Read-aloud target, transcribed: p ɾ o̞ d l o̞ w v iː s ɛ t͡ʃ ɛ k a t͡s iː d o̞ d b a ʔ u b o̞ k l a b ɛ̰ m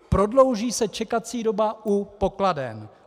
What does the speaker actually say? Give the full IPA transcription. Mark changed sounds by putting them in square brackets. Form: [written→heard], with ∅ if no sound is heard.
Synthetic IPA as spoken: p ɾ o̞ d l o̞ w [v→ʒ] iː s ɛ t͡ʃ ɛ k a t͡s iː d o̞ [d→∅] b a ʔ u [b→p] o̞ k l a [b→d] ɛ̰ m